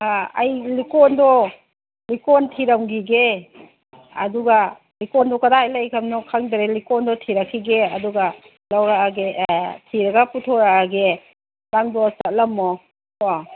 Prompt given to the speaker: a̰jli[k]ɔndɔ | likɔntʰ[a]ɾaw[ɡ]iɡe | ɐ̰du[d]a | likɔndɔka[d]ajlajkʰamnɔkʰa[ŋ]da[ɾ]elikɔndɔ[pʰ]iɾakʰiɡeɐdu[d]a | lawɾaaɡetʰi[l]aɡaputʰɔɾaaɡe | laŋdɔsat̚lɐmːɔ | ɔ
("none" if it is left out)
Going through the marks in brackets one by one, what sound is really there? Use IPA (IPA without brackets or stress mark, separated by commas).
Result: k, i, ɡ, ɡ, d, ŋ, ɾ, tʰ, ɡ, ɾ